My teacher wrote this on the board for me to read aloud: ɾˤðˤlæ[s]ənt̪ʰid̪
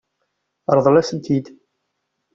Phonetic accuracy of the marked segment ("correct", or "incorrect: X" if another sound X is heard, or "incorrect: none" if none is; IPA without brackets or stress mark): correct